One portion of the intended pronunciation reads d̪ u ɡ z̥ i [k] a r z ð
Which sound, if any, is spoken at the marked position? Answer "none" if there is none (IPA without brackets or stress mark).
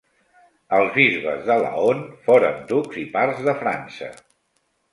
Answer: p